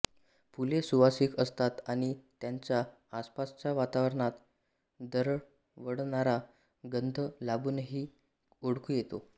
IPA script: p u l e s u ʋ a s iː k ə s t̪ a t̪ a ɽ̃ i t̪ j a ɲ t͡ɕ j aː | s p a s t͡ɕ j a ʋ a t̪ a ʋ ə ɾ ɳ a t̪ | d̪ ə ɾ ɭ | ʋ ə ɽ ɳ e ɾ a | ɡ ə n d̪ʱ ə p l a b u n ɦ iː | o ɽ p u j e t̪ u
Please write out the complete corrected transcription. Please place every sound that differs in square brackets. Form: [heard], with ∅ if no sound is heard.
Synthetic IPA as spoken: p u l e s u ʋ a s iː k ə s t̪ a t̪ a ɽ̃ i t̪ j a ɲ t͡ɕ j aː | s p a s t͡ɕ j a ʋ a t̪ a ʋ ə ɾ ɳ a t̪ | d̪ ə ɾ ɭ | ʋ ə ɽ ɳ [a] ɾ a | ɡ ə n d̪ʱ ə [∅] l a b u n ɦ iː | o ɽ [k] u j e t̪ [o]